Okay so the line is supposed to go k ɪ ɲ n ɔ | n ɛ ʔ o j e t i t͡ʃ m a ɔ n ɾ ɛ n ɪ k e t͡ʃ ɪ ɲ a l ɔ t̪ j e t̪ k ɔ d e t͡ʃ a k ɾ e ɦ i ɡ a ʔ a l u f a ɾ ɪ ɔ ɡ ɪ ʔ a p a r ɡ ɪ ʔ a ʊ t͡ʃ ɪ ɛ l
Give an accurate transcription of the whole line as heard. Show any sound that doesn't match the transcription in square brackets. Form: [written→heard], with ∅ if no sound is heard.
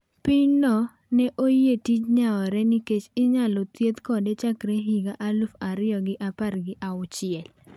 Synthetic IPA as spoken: [k→p] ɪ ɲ n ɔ | n ɛ ʔ o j e t i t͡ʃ [m→ɲ] a ɔ [n→∅] ɾ ɛ n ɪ k e t͡ʃ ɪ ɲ a l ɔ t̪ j e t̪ k ɔ d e t͡ʃ a k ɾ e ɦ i ɡ a ʔ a l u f a ɾ ɪ ɔ ɡ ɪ ʔ a p a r ɡ ɪ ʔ a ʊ t͡ʃ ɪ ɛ l